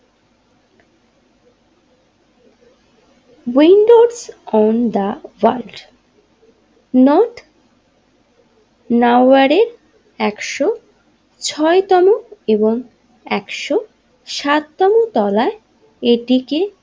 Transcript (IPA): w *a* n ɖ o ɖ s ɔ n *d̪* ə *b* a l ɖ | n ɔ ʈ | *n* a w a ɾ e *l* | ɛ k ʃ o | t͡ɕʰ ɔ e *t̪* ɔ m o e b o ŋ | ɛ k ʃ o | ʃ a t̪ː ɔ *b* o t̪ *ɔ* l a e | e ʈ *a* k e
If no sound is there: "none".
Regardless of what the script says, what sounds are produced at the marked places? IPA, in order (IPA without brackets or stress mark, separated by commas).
i, d̪, w, n, ɾ, t̪, m, ɔ, i